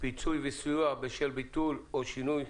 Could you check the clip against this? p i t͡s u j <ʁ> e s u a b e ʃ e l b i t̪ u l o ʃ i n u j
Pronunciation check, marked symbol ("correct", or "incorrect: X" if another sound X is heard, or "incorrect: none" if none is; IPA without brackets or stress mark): incorrect: v